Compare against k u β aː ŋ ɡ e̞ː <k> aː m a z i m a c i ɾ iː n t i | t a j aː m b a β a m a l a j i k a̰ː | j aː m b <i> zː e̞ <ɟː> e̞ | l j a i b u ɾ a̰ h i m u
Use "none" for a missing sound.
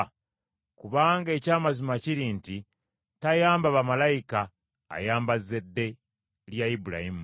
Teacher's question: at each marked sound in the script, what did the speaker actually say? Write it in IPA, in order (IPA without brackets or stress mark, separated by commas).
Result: c, a, dː